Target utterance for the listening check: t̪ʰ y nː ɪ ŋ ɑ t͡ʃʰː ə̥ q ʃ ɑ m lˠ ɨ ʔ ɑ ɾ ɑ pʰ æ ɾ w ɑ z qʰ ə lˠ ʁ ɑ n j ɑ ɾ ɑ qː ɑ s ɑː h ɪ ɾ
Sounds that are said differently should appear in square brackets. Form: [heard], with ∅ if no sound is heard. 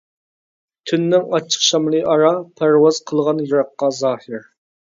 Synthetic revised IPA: t̪ʰ y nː ɪ ŋ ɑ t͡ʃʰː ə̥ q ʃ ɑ m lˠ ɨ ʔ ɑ ɾ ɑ pʰ æ ɾ w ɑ z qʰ ə lˠ ʁ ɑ n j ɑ ɾ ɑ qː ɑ [z] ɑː h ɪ ɾ